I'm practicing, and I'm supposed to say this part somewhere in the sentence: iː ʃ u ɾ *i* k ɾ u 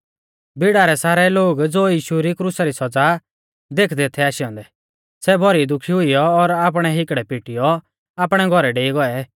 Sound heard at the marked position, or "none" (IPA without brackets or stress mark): i